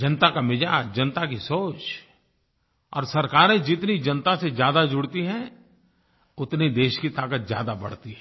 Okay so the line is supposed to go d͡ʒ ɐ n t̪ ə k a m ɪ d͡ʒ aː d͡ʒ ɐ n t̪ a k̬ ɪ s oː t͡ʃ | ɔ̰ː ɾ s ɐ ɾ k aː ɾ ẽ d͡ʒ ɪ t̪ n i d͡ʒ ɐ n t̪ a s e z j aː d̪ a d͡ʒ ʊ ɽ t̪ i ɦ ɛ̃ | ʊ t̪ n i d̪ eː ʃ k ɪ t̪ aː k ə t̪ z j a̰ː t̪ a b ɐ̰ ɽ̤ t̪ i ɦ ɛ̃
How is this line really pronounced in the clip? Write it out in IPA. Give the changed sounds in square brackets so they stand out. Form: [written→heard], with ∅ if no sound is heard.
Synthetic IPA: d͡ʒ ɐ n t̪ [ə→a] k a m ɪ d͡ʒ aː d͡ʒ ɐ n t̪ a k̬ [ɪ→i] s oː t͡ʃ | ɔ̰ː ɾ s ɐ ɾ k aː ɾ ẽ d͡ʒ ɪ t̪ n i d͡ʒ ɐ n t̪ a s e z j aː d̪ a d͡ʒ ʊ ɽ t̪ i ɦ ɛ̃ | ʊ t̪ n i d̪ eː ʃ k [ɪ→i] t̪ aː k ə t̪ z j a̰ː [t̪→d̪] a b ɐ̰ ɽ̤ t̪ i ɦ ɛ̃